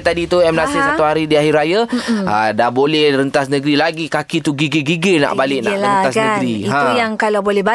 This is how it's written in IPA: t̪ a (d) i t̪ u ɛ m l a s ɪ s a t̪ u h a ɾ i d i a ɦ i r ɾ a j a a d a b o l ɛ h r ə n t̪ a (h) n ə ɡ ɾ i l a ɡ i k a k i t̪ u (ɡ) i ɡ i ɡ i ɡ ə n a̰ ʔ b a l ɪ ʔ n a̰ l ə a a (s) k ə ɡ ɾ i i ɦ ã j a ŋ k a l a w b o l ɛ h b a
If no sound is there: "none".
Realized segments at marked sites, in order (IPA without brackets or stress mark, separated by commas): d, s, ɡ, s